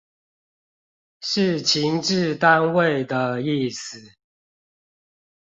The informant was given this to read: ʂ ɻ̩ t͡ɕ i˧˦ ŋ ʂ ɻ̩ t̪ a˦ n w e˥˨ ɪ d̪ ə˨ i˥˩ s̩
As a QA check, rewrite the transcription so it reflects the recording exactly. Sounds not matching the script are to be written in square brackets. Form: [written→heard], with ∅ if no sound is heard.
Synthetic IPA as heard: ʂ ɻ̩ [t͡ɕ→t͡ɕʰ] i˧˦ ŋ [ʂ→ʈ͡ʂ] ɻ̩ t̪ a˦ n w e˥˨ ɪ d̪ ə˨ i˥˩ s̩